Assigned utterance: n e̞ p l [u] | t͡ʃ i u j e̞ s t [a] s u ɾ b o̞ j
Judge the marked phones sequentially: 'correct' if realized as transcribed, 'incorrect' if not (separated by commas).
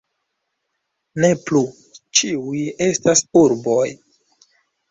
correct, correct